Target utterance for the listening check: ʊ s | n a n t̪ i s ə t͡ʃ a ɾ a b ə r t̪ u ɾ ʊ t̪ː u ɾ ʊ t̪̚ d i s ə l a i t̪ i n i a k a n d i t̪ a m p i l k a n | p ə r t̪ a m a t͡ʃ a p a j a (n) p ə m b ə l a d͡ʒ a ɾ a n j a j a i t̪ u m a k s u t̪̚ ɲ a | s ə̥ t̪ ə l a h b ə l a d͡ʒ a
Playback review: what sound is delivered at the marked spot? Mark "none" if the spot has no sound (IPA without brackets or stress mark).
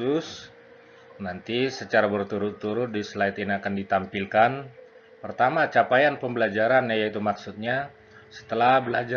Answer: n